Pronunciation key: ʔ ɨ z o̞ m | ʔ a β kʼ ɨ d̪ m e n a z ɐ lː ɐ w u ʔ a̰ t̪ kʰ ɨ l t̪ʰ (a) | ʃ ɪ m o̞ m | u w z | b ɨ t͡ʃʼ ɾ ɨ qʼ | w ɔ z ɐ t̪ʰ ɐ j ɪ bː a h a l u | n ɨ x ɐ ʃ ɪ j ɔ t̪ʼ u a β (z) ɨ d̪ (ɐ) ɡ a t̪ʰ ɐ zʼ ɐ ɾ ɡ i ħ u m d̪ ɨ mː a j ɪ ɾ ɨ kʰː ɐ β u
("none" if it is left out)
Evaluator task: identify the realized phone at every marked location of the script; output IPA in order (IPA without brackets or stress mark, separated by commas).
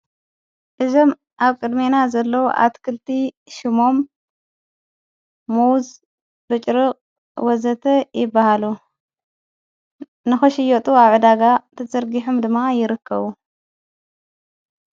i, ʕ, a